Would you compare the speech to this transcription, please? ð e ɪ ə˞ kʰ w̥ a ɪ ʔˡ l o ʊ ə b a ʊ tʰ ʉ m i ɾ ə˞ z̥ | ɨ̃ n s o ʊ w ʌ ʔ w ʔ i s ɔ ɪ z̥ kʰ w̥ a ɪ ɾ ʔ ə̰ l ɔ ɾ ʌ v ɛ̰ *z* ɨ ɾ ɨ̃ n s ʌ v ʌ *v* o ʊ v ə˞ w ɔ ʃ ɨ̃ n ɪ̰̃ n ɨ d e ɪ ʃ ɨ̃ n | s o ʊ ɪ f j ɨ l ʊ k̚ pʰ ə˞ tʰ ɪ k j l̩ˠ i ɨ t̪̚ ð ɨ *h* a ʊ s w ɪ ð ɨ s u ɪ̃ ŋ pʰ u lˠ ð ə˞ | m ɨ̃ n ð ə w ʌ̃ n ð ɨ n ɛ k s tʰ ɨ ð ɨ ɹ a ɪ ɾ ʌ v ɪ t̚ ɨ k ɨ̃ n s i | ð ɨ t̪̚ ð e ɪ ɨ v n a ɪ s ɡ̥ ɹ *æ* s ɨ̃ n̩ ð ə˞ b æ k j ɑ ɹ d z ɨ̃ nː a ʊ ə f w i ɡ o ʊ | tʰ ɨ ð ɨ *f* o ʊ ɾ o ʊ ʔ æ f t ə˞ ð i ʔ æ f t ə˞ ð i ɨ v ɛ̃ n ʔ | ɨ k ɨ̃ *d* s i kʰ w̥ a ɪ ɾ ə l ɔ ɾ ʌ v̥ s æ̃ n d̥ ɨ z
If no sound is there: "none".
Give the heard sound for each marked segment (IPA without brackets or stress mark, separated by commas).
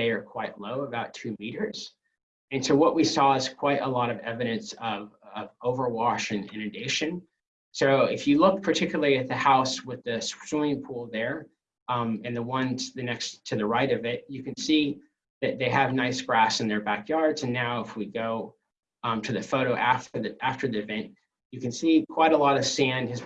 v, v, h, æ, f, n